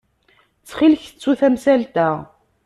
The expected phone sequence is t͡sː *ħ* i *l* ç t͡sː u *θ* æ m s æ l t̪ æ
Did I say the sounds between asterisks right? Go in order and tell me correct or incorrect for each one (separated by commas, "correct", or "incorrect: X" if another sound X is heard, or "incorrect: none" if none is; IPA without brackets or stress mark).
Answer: incorrect: χ, correct, correct